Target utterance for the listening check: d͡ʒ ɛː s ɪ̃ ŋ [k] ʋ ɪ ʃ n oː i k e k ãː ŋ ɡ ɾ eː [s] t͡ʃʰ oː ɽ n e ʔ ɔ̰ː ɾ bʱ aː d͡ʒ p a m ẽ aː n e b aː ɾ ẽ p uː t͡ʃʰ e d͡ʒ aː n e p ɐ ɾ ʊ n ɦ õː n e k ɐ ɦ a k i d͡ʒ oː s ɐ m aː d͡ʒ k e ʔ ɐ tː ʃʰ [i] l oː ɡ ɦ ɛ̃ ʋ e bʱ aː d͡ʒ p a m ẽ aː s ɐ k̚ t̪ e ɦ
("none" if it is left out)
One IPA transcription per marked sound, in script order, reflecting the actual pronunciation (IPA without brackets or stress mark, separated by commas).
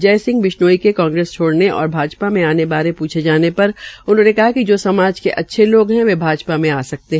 ɡ, s, e